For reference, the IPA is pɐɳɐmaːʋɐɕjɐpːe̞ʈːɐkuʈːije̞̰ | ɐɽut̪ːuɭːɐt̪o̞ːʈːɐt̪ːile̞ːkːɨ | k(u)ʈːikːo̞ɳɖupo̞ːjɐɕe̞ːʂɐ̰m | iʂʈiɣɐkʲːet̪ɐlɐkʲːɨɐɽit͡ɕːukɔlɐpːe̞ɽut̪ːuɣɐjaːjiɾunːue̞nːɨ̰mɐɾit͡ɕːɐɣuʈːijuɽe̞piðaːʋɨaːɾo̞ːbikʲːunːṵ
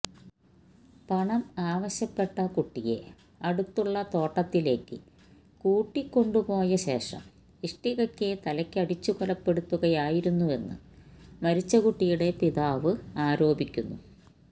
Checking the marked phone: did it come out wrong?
yes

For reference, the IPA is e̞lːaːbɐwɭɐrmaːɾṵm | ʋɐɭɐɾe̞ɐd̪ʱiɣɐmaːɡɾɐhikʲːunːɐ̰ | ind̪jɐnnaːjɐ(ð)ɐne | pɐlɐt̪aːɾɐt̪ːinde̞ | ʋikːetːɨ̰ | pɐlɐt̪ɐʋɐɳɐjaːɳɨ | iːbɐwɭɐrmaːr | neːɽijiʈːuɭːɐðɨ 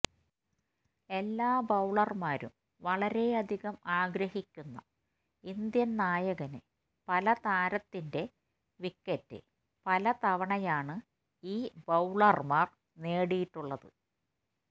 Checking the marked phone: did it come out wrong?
yes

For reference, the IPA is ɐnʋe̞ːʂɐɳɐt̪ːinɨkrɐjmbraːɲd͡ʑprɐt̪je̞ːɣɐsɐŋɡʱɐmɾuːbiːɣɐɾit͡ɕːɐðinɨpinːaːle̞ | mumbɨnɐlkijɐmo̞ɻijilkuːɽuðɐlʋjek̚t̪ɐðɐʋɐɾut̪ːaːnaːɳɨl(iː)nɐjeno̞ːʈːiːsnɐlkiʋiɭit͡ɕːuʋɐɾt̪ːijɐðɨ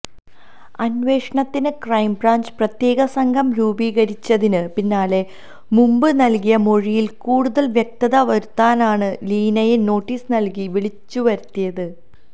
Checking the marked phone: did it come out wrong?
no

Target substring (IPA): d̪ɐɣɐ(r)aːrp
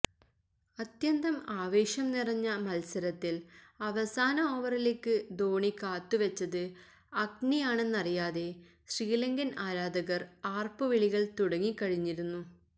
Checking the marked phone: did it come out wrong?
no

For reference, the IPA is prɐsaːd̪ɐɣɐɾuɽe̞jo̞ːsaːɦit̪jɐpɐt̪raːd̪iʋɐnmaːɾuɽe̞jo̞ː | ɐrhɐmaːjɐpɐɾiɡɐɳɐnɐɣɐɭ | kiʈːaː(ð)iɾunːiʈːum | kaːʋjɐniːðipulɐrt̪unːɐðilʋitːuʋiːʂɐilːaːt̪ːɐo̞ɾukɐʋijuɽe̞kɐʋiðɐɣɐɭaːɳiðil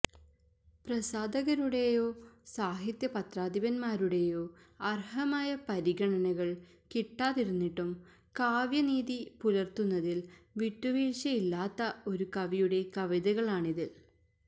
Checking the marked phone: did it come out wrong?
no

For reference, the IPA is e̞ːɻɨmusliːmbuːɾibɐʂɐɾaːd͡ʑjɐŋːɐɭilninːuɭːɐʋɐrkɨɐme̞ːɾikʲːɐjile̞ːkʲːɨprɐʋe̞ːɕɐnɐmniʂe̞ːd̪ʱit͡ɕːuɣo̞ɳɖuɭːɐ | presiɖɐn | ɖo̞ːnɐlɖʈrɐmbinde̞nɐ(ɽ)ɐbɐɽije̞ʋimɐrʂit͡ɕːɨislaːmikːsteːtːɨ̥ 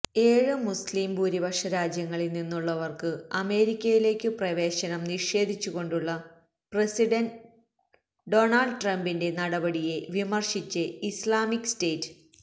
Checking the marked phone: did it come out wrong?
no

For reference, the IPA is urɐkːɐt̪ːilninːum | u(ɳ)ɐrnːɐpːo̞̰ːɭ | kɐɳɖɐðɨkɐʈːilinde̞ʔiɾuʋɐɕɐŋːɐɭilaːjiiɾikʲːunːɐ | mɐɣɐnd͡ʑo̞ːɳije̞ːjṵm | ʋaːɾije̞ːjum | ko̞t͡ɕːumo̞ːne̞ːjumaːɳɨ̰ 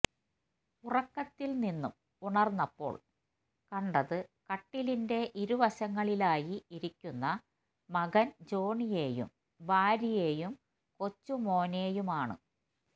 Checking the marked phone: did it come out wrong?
no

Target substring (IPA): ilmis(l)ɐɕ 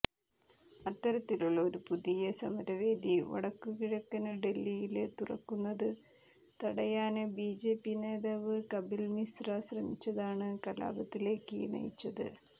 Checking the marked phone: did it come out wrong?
yes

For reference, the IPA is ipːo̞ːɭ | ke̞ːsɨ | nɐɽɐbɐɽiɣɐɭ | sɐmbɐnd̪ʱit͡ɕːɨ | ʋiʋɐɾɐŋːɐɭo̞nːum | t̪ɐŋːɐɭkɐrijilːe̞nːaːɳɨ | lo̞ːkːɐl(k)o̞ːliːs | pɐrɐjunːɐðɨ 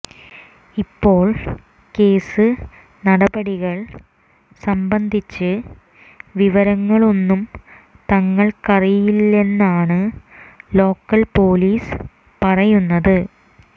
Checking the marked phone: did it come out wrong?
yes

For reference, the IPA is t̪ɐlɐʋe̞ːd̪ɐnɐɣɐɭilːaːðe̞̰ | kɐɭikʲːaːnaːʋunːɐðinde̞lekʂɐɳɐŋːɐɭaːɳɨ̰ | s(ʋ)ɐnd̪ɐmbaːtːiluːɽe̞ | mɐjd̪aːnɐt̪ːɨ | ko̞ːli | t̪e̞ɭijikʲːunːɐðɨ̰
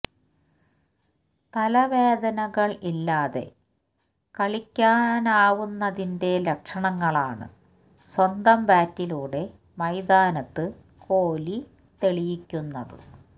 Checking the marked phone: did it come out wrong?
yes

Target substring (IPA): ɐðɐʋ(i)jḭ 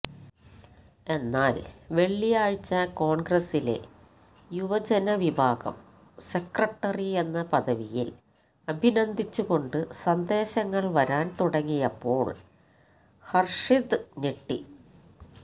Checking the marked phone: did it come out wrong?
no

